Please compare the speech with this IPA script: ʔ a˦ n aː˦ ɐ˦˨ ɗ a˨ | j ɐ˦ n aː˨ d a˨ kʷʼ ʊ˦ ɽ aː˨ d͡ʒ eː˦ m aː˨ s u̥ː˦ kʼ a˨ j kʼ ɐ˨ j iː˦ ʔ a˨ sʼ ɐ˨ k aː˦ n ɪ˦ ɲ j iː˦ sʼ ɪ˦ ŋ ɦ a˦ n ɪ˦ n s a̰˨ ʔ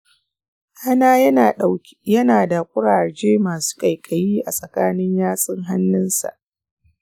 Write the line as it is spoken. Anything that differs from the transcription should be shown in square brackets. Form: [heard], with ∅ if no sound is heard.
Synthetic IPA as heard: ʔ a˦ n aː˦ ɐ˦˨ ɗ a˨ | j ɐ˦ n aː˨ d a˨ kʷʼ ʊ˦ ɽ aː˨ d͡ʒ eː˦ m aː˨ s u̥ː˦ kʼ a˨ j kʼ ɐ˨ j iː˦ ʔ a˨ sʼ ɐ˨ k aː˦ n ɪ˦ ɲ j [aː˦] sʼ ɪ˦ ŋ ɦ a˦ [nː] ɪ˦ n s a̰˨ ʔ